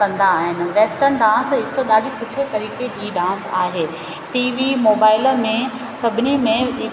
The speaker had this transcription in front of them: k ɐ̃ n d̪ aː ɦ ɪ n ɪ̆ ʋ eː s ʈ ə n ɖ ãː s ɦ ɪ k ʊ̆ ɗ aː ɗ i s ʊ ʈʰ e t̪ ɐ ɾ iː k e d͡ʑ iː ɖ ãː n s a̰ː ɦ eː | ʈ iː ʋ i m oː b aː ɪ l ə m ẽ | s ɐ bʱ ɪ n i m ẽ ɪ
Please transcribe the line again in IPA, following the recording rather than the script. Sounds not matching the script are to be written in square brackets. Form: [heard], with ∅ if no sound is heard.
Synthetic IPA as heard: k ɐ̃ n d̪ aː ɦ ɪ n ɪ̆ ʋ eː s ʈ ə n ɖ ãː s ɦ ɪ k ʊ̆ ɗ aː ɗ i s ʊ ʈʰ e t̪ ɐ ɾ iː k e d͡ʑ iː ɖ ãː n s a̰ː ɦ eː | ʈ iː ʋ i m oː b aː ɪ l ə m ẽ | s ɐ bʱ ɪ n i m ẽ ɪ

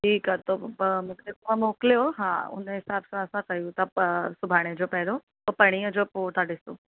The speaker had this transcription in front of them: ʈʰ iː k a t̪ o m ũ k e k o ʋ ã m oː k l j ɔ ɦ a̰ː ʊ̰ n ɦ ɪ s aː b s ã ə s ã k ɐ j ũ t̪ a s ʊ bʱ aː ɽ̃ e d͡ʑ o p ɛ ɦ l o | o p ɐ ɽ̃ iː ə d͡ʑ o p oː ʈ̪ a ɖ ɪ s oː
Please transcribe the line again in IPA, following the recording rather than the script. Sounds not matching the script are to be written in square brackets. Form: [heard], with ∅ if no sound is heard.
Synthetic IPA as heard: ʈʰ iː k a t̪ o m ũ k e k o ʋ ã m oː k l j [o] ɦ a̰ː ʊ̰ n ɦ ɪ s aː b s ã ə s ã k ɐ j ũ t̪ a s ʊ bʱ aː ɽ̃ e d͡ʑ o p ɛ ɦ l o | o p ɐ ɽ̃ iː ə d͡ʑ o p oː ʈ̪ a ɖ ɪ s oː

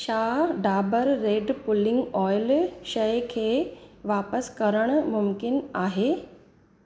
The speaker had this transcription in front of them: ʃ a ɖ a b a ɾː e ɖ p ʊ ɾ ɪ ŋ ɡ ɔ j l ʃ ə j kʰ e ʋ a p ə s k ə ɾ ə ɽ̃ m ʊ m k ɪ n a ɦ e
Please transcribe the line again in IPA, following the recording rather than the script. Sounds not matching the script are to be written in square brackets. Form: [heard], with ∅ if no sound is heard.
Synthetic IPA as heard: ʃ a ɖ a b [ə] ɾː e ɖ p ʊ [l] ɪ ŋ ɡ ɔ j l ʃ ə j kʰ e ʋ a p ə s k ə ɾ ə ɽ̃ m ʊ m k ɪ n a ɦ e

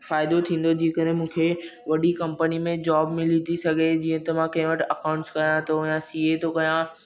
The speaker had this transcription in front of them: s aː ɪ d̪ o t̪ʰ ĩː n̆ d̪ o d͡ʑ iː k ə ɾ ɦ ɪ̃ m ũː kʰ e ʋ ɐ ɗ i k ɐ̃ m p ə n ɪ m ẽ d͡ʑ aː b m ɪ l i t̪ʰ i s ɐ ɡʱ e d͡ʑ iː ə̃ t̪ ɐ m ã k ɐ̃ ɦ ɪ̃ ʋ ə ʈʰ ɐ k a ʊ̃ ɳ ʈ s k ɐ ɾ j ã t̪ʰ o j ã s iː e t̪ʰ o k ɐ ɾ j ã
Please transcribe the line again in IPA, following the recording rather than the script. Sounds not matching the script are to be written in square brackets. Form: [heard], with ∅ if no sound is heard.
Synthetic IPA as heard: [f] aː ɪ d̪ o t̪ʰ ĩː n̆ d̪ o d͡ʑ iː k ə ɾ ɦ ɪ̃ m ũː kʰ e ʋ ɐ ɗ i k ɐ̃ m p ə n [i] m ẽ d͡ʑ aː b m ɪ l i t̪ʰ i s ɐ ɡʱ e d͡ʑ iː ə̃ t̪ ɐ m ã k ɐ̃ ɦ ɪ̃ ʋ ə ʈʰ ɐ k a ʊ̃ ɳ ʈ s k ɐ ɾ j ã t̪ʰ o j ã s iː e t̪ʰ o k ɐ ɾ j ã

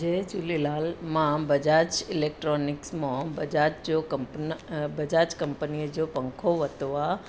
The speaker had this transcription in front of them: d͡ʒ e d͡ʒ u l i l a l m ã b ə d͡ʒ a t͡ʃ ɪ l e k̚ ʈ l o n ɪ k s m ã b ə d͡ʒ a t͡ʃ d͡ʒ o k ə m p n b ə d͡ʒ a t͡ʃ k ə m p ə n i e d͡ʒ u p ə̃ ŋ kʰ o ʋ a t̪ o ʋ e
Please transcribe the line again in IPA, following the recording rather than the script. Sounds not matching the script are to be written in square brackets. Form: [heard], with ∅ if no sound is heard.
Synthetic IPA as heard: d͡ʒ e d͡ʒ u l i l a l m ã b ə d͡ʒ a t͡ʃ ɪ l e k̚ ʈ [ɾ] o n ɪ k s m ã b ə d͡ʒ a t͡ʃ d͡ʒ o k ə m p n b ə d͡ʒ a t͡ʃ k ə m p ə n i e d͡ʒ [o] p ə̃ ŋ kʰ o ʋ [ə] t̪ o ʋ [a]

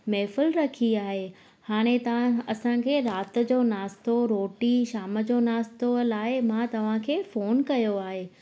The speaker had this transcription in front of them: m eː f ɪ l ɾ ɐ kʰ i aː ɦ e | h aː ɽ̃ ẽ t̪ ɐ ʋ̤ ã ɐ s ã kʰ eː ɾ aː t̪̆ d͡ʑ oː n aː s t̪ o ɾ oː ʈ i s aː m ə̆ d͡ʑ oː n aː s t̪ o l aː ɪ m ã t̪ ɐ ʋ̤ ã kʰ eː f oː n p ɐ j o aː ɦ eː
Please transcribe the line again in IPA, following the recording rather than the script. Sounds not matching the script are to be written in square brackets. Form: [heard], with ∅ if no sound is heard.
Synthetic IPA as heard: m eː f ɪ l ɾ ɐ kʰ i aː ɦ e | h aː ɽ̃ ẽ t̪ ɐ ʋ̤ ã ɐ s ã kʰ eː ɾ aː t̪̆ d͡ʑ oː n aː s t̪ o ɾ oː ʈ i [ʃ] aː m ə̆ d͡ʑ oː n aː s t̪ o l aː ɪ m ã t̪ ɐ ʋ̤ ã kʰ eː f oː n [k] ɐ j o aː ɦ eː

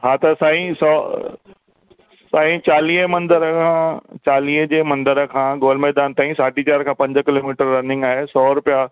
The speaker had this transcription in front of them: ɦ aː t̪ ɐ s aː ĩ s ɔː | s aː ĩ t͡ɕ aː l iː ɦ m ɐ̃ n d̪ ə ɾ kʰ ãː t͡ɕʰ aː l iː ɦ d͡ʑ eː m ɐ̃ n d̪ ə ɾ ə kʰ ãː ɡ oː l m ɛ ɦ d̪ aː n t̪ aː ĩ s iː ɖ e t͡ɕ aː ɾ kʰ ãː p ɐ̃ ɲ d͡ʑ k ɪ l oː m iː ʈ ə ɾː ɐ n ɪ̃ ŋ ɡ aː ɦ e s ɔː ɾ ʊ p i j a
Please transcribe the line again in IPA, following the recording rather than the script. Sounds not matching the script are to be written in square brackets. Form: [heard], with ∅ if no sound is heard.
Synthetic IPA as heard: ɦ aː t̪ ɐ s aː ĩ s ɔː | s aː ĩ t͡ɕ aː l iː ɦ m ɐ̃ n d̪ ə ɾ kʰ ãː [t͡ɕ] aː l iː ɦ d͡ʑ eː m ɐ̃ n d̪ ə ɾ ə kʰ ãː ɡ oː l m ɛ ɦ d̪ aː n t̪ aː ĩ s [aː] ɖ [i] t͡ɕ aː ɾ kʰ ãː p ɐ̃ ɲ d͡ʑ k ɪ l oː m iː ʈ ə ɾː ɐ n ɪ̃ ŋ ɡ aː ɦ e s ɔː ɾ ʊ p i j a

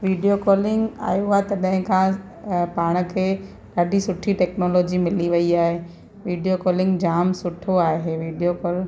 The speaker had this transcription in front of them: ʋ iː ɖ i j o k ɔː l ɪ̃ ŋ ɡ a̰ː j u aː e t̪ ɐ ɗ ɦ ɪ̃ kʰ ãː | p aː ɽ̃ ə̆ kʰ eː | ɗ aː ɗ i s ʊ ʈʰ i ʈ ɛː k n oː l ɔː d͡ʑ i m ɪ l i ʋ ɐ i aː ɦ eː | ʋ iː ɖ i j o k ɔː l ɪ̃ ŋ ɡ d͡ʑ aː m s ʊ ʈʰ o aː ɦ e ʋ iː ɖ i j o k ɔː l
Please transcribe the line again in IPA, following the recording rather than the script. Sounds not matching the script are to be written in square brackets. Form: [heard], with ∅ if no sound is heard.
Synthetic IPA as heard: ʋ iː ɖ i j o k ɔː l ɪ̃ ŋ ɡ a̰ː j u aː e t̪ ɐ ɗ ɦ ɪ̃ kʰ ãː | p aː ɽ̃ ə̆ kʰ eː | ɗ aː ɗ i s ʊ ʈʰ i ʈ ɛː k n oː l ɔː d͡ʑ i m ɪ l i ʋ ɐ i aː ɦ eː | ʋ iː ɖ i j o k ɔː l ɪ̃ ŋ ɡ d͡ʑ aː m s ʊ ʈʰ o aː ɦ e ʋ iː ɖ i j o k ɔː l

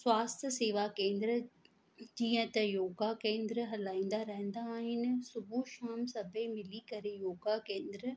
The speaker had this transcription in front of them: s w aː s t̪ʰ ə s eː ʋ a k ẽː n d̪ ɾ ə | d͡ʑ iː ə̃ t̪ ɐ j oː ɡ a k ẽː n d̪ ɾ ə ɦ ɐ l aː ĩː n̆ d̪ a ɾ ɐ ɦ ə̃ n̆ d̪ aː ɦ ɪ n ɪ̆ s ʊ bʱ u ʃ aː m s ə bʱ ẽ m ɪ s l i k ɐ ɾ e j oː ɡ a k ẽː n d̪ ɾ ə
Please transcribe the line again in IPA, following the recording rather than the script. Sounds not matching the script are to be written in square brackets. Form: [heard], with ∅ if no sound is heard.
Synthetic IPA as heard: s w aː s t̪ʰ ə s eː ʋ a k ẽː n d̪ ɾ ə | d͡ʑ iː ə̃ t̪ ɐ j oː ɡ a k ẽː n d̪ ɾ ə ɦ ɐ l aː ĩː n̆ d̪ a ɾ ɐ ɦ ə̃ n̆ d̪ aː ɦ ɪ n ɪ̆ s ʊ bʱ u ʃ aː m s [ɐ] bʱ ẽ m ɪ [∅] l i k ɐ ɾ e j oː ɡ a k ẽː n d̪ ɾ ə

